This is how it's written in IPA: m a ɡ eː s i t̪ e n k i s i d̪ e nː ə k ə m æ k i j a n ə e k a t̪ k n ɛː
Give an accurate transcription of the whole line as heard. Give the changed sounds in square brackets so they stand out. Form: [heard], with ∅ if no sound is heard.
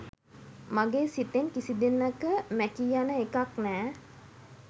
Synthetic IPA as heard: m a ɡ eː s i t̪ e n k i s i d̪ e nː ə k ə m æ k i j a n ə e k a [∅] k n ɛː